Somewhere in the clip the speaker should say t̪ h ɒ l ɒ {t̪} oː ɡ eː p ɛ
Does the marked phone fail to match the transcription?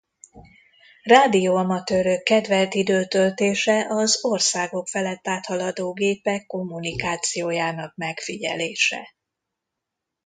yes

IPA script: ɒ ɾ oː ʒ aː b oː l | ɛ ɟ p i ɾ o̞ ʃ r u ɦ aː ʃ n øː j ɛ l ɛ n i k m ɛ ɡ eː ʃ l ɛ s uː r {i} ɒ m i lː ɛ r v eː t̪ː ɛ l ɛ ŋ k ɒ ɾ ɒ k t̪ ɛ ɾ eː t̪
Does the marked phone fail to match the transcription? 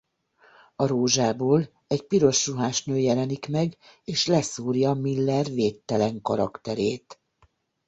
yes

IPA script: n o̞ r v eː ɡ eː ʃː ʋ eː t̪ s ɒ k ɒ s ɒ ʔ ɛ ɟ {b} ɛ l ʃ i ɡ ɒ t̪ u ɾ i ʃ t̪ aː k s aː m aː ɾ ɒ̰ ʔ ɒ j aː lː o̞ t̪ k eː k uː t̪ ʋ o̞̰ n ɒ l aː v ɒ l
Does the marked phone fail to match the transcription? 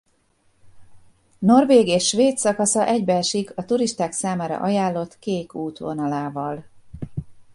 no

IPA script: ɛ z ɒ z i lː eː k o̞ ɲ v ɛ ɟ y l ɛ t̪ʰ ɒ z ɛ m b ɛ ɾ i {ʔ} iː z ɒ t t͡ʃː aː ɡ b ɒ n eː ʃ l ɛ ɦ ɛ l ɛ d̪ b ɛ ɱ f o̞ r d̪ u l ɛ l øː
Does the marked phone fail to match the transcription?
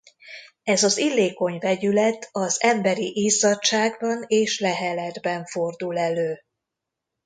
no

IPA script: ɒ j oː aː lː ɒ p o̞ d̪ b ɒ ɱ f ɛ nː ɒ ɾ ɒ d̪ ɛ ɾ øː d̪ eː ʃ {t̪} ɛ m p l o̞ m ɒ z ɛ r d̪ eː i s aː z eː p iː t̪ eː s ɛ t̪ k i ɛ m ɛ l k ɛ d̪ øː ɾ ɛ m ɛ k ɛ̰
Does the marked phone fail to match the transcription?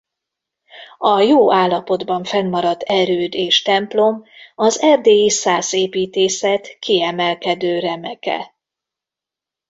no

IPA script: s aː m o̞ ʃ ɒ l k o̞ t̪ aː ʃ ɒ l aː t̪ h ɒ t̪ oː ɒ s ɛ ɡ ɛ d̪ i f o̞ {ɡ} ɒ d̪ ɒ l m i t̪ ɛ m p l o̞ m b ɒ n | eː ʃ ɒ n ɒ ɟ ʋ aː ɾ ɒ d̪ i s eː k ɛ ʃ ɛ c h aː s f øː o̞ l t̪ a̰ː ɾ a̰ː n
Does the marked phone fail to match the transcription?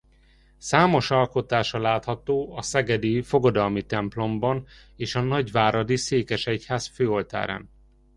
no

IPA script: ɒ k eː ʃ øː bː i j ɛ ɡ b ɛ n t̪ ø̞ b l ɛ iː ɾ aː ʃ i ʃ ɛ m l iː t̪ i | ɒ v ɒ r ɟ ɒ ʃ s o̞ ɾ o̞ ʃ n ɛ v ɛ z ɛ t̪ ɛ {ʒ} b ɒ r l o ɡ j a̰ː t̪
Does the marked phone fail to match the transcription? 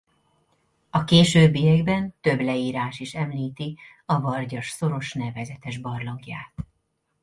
no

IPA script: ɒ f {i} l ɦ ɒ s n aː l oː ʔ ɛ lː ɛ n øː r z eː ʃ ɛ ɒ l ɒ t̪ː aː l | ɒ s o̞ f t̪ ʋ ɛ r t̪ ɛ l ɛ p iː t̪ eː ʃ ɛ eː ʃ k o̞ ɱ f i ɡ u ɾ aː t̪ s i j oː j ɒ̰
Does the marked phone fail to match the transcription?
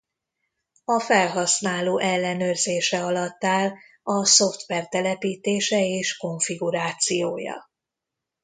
yes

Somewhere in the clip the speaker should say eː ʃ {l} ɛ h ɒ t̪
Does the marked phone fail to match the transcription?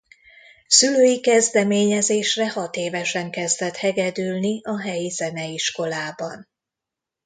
yes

